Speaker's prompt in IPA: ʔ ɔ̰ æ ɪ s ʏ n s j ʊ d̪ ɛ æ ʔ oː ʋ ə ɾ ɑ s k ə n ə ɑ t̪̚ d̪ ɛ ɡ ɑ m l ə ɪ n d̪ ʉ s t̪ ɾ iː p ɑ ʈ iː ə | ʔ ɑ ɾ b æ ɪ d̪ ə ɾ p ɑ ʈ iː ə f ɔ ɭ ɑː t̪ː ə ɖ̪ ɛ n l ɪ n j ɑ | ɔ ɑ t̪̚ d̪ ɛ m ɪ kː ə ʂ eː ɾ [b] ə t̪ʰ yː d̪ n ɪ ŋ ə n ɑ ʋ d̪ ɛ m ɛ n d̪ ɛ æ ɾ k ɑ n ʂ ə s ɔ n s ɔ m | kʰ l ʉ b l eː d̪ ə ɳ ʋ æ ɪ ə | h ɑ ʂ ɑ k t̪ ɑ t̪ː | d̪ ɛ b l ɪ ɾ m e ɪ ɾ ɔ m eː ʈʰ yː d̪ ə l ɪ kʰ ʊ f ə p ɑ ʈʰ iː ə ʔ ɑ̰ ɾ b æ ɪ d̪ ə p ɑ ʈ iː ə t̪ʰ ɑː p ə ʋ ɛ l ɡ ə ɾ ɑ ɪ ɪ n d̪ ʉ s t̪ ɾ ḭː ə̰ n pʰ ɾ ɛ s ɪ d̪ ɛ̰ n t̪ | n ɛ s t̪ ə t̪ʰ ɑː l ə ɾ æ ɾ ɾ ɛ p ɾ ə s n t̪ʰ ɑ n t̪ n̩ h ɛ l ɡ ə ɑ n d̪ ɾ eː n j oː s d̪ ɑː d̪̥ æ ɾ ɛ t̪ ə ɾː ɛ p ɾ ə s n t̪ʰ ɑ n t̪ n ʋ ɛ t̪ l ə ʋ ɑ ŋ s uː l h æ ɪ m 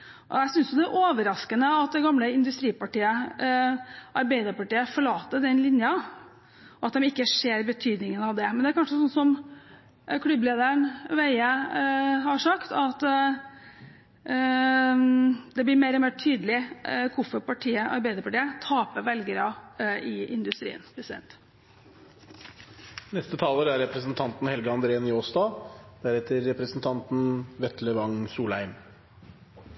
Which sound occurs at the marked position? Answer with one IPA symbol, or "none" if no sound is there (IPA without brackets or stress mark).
b